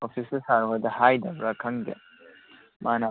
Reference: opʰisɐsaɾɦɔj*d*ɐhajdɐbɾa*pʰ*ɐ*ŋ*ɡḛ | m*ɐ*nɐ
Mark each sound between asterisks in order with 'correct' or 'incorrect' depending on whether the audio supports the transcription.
correct, incorrect: kʰ, correct, incorrect: a

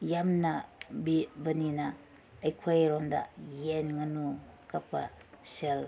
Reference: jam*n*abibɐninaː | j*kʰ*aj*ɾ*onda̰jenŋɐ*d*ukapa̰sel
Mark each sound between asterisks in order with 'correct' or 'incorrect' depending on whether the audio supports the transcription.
correct, correct, correct, incorrect: n

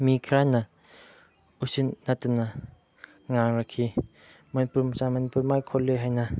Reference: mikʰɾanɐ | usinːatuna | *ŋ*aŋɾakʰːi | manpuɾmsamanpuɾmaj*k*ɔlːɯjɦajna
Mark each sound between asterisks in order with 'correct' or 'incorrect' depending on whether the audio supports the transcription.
correct, incorrect: kʰ

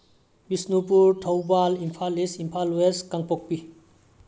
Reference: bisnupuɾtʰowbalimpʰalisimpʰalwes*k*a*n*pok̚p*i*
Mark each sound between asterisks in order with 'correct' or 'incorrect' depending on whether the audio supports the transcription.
correct, incorrect: ŋ, correct

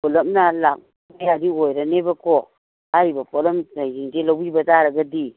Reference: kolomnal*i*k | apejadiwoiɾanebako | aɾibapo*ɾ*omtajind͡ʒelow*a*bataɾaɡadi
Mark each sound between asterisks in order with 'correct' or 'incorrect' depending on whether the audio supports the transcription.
incorrect: a, incorrect: l, incorrect: i

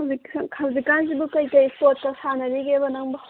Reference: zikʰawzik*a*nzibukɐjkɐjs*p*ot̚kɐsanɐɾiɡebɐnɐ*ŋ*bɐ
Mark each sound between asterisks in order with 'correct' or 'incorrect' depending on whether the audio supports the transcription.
correct, correct, correct

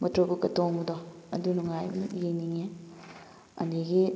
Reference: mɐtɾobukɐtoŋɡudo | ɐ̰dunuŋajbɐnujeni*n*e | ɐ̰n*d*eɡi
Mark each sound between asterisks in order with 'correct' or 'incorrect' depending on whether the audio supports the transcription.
incorrect: ŋ, correct

